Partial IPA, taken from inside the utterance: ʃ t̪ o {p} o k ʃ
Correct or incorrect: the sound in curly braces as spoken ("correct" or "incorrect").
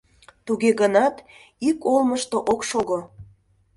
incorrect